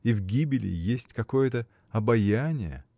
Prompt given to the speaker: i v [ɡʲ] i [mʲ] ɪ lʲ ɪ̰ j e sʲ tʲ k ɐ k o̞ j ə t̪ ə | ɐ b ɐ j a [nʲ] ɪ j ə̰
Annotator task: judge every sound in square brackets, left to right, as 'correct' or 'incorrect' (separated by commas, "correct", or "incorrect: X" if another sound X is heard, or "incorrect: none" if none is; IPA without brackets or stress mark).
correct, incorrect: bʲ, correct